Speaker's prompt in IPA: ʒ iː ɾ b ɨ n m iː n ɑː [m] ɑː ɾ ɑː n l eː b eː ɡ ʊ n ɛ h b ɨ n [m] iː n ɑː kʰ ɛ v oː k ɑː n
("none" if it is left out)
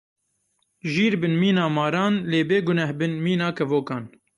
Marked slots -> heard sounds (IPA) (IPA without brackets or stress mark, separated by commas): m, m